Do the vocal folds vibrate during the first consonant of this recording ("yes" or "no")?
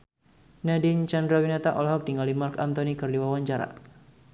yes